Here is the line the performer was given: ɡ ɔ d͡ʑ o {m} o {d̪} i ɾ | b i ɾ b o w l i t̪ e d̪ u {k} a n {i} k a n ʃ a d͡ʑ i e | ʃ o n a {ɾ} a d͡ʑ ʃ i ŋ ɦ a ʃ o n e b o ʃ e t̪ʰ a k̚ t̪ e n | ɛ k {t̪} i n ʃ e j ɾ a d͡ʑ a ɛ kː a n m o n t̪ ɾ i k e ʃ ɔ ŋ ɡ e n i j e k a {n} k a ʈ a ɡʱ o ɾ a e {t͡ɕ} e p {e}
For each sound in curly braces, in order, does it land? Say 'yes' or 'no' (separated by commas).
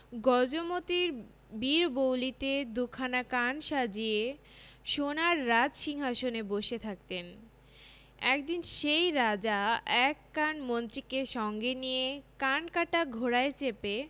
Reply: yes, no, no, no, no, no, yes, yes, yes